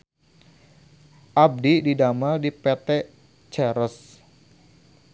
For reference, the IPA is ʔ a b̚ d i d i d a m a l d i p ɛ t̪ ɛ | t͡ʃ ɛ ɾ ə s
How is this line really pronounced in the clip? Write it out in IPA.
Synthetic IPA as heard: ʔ a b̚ d i d i d a m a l d i p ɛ t̪ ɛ | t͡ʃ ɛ ɾ ə s